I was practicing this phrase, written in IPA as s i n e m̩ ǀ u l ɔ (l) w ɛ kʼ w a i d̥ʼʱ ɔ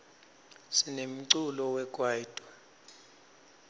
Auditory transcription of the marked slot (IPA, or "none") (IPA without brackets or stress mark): none